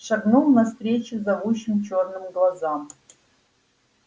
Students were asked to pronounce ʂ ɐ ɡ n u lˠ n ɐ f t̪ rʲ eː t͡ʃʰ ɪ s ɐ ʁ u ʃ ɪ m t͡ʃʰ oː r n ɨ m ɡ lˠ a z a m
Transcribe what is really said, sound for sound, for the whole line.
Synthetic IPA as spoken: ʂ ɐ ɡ n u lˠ n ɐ s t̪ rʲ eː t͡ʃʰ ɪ z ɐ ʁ u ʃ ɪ m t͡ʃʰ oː r n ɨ m ɡ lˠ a z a m